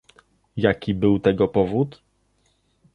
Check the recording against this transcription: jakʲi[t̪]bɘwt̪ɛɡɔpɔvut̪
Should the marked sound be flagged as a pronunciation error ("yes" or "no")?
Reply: yes